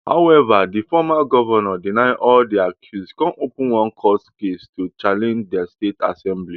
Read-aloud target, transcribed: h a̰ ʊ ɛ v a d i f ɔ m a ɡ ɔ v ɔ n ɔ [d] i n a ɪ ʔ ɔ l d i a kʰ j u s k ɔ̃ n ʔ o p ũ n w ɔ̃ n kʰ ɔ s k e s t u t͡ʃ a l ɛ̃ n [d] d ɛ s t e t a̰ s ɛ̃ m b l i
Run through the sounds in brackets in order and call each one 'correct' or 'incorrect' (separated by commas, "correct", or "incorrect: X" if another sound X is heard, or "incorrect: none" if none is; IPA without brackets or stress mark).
correct, incorrect: d͡ʒ